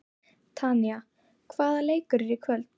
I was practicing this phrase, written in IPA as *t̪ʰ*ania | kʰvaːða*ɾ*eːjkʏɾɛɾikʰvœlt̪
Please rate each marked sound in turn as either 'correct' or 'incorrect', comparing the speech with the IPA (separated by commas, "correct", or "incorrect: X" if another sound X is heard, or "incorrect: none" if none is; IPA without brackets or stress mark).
correct, incorrect: l